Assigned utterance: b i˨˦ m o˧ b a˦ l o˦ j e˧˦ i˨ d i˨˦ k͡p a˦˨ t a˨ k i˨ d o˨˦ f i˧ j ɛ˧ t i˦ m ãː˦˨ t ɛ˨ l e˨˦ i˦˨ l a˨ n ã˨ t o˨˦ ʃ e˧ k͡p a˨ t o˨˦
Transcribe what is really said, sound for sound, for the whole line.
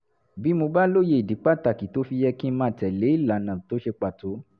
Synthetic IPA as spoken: b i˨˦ m o˧ b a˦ l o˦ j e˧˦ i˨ d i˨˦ k͡p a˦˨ t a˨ k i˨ t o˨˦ f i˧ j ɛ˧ k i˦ m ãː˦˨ t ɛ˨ l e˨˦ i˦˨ l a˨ n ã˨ t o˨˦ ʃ e˧ k͡p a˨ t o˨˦